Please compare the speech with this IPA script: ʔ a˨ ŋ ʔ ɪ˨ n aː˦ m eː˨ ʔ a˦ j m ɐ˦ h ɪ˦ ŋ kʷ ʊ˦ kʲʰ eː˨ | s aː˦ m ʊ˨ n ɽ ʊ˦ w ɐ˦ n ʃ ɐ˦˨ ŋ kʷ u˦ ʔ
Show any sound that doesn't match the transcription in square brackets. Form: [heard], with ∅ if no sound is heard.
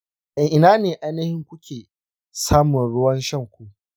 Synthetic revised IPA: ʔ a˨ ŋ ʔ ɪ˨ n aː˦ [n] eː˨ ʔ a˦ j [n] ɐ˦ h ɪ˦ ŋ kʷ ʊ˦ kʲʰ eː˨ | s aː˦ m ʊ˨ n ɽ ʊ˦ w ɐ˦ n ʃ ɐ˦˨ ŋ kʷ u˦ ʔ